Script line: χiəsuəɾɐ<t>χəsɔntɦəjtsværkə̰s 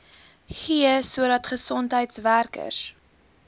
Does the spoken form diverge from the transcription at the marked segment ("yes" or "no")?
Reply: no